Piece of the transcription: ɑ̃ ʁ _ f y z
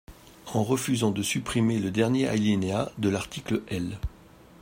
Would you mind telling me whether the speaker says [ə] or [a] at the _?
ə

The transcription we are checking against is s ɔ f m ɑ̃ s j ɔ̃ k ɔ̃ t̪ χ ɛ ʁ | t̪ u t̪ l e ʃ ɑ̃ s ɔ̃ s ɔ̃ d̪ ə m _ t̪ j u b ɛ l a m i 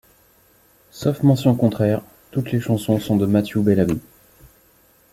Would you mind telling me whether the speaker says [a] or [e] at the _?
a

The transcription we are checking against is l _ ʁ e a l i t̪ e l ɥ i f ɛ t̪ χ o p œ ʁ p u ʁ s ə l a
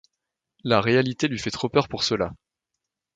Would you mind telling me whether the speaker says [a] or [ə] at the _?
a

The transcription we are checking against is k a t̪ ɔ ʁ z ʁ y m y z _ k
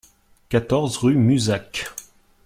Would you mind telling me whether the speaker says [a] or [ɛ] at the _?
a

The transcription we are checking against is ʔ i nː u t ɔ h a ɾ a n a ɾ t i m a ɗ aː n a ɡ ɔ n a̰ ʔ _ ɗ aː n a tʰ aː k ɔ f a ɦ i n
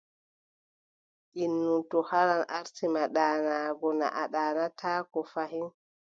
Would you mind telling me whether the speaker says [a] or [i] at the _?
a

